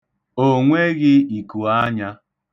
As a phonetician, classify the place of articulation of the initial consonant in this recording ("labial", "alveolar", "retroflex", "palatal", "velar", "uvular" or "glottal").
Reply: velar